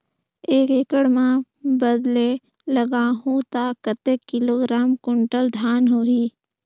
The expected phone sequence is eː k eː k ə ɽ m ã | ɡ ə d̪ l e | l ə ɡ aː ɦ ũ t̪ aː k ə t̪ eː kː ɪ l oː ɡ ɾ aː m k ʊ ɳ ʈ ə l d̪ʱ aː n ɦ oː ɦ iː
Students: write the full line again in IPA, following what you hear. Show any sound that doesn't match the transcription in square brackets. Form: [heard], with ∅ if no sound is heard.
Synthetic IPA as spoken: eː k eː k ə ɽ m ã | [b] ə d̪ l e | l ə ɡ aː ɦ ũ t̪ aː k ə t̪ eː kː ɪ l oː ɡ ɾ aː m k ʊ ɳ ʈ ə l d̪ʱ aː n ɦ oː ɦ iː